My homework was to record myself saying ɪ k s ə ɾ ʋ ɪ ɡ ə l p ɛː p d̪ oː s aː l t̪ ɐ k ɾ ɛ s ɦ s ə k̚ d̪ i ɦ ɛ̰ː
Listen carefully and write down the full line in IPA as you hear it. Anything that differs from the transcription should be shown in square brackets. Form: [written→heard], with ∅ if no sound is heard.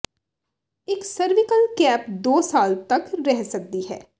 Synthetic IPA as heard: ɪ k s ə ɾ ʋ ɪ [ɡ→k] ə l [p→k] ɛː p d̪ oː s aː l t̪ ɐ k ɾ ɛ [s→∅] ɦ s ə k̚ d̪ i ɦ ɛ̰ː